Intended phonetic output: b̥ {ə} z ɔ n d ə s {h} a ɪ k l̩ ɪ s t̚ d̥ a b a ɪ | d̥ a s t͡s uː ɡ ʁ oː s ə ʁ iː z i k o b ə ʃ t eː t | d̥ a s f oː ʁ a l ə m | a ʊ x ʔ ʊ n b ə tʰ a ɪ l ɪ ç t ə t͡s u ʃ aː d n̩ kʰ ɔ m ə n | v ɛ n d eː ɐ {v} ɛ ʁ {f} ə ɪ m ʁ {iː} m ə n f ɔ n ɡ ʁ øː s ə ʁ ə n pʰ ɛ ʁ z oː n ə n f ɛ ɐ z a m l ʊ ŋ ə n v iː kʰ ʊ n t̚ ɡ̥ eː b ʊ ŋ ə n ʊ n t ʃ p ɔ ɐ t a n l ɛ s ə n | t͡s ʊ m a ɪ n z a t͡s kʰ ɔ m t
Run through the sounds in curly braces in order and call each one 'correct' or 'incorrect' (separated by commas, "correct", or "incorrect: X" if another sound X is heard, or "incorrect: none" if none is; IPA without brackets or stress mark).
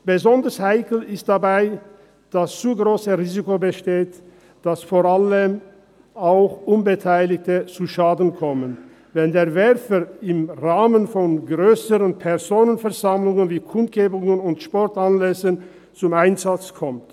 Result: correct, correct, correct, correct, incorrect: aː